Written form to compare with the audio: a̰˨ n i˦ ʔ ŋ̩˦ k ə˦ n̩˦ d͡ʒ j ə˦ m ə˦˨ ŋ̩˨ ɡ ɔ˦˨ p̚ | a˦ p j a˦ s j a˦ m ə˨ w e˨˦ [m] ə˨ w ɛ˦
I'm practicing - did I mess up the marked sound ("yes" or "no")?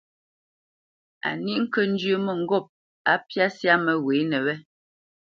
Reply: yes